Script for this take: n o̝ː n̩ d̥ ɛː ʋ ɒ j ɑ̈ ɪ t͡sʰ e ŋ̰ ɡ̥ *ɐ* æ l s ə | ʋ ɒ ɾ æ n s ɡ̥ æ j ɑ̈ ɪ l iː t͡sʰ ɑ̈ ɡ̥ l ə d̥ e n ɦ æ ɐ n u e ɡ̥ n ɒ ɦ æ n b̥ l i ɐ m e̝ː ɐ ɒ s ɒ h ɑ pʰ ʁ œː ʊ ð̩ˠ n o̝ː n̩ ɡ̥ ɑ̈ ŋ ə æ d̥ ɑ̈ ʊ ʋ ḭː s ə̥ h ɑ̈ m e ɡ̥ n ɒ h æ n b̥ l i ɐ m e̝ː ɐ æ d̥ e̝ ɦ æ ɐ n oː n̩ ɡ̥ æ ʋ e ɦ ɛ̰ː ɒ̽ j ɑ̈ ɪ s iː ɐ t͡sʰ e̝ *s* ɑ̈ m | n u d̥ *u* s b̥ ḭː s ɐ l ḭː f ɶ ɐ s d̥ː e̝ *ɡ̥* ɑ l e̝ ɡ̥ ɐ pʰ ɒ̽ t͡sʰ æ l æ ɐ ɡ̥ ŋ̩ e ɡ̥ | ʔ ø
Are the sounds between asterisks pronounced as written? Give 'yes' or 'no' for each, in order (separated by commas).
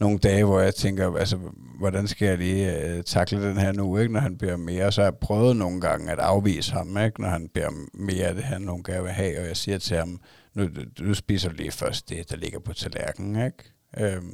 yes, no, yes, no